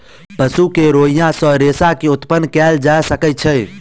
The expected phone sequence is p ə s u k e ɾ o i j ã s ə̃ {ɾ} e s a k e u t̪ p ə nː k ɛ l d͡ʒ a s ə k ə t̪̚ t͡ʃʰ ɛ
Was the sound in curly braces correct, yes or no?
yes